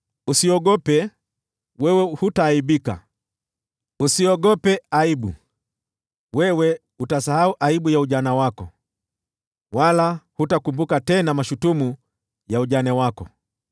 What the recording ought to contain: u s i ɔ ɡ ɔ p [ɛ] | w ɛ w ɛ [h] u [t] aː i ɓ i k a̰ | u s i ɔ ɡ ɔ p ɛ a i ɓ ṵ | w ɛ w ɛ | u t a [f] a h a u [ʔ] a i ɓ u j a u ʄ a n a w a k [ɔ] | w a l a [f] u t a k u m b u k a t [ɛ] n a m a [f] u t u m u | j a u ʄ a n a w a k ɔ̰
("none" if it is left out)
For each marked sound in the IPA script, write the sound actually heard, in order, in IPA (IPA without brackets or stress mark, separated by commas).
ɛ, h, t, s, ʔ, ɔ, h, ɛ, ʃ